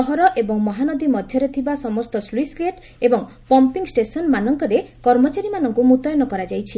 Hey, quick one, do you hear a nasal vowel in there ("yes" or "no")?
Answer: no